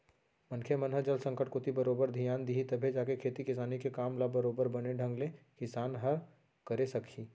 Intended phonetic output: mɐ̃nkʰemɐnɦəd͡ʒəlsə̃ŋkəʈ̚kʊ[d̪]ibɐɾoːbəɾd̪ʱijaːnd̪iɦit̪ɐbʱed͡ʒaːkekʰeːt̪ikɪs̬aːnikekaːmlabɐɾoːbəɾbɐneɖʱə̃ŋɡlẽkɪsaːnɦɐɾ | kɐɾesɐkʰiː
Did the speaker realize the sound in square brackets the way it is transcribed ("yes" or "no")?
no